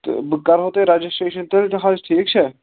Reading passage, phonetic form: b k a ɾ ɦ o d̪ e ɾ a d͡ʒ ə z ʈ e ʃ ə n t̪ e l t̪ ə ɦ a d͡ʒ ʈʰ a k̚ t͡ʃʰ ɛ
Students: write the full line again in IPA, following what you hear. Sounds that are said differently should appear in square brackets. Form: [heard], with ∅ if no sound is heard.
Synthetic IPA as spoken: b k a ɾ ɦ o [t̪] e ɾ a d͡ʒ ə [s] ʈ e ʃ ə n t̪ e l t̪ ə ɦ a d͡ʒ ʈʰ [i] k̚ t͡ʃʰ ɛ